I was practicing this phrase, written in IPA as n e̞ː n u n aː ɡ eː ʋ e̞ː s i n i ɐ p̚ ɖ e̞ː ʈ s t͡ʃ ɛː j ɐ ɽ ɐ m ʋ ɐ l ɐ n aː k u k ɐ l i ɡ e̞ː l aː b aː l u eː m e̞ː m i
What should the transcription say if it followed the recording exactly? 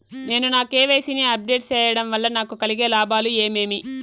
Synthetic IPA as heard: n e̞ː n u n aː k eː ʋ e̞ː s i n i ɐ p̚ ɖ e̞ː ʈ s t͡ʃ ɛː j ɐ ɽ ɐ m ʋ ɐ lː ɐ n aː k u k ɐ l i ɡ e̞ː l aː b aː l u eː m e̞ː m i

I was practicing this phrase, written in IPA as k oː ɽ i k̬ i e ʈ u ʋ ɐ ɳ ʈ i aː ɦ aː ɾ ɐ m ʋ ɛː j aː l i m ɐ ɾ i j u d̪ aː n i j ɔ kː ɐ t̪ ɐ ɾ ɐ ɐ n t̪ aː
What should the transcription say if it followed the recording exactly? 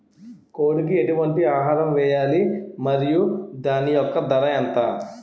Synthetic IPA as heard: k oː ɽ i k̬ i e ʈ u ʋ ɐ ɳ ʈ i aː ɦ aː ɾ ɐ m ʋ ɛː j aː l i m ɐ ɾ i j u d̪ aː n i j ɔ kː ɐ d̪ ɐ ɾ ɐ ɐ n t̪ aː

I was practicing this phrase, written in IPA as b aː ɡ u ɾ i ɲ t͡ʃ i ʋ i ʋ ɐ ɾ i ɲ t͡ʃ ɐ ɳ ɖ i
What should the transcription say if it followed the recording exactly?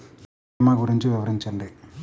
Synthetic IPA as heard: m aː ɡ u ɾ i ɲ t͡ʃ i ʋ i ʋ ɐ ɾ i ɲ t͡ʃ ɐ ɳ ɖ i

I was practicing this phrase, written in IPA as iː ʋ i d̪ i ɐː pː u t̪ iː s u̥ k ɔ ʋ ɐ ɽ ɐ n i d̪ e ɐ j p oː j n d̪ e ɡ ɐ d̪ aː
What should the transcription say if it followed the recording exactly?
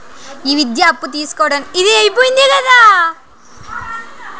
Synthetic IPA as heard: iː ʋ i d̪ j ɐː pː u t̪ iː s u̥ k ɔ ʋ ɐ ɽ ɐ n i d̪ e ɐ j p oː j n d̪ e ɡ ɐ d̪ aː

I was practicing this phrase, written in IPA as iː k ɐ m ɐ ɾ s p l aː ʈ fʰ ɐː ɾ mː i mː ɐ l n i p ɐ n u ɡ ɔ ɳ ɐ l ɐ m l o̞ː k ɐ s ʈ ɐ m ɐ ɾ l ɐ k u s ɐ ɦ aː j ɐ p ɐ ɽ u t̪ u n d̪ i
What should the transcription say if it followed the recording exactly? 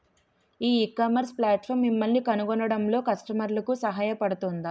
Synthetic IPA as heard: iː k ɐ m ɐ ɾ s p l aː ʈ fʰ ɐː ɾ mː i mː ɐ l n i k ɐ n u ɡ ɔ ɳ ɐ ɽ ɐ m l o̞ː k ɐ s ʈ ɐ m ɐ ɾ l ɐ k u s ɐ ɦ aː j ɐ p ɐ ɽ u t̪ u n d̪ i

